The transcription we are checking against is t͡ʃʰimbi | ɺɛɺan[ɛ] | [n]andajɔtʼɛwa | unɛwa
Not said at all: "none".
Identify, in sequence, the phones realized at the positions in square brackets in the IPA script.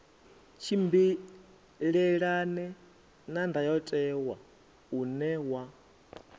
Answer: ɛ, n

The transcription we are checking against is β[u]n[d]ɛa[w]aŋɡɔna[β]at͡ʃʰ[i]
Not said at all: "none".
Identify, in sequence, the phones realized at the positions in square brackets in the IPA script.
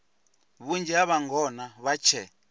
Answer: u, d͡ʒ, β, β, ɛ

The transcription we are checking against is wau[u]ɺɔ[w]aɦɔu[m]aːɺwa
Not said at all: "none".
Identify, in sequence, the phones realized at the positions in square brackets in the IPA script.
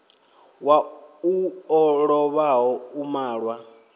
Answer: ɔ, β, m

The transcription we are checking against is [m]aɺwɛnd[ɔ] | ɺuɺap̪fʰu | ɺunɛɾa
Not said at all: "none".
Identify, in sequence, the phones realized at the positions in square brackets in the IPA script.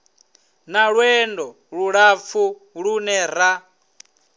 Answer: n, ɔ

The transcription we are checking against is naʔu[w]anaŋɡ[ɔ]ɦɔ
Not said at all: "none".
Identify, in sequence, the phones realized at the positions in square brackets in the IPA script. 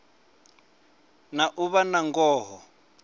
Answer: β, ɔː

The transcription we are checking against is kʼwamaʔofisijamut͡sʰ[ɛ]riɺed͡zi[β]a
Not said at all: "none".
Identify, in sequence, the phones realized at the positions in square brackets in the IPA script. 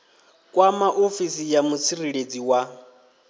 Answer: i, w

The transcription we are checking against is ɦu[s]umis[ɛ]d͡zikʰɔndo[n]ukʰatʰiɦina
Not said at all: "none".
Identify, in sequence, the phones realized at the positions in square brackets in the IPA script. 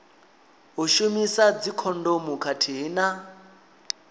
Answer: ʃ, a, m

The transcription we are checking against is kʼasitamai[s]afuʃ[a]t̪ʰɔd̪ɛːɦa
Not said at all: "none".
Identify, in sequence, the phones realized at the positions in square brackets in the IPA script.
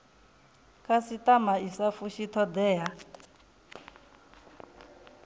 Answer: s, i

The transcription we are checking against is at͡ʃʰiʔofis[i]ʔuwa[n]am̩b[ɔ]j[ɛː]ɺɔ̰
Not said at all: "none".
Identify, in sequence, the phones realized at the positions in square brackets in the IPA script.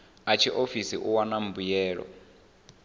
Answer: i, n, u, ɛː

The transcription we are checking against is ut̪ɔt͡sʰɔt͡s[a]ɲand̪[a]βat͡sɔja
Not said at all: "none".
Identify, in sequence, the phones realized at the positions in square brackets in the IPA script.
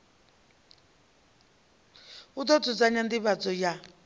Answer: a, i

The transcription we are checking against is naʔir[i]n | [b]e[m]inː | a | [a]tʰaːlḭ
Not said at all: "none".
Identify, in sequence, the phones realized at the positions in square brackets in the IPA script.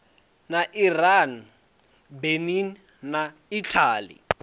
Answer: a, b, n, i

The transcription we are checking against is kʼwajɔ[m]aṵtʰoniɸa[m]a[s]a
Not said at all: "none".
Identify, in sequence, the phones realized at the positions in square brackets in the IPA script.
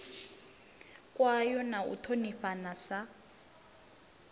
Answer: n, n, s

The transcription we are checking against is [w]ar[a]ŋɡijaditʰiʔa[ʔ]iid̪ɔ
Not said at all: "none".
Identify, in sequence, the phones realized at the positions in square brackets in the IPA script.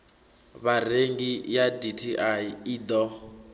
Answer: β, e, none

